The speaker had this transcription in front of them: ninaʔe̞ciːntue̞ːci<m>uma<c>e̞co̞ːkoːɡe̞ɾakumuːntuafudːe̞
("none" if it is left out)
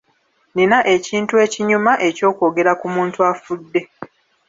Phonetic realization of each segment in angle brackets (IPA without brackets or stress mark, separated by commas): ɲ, ʔ